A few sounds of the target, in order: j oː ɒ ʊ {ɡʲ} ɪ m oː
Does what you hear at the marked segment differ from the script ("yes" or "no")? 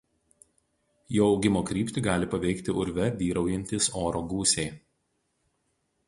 no